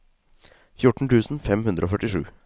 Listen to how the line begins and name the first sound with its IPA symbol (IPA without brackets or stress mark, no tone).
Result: f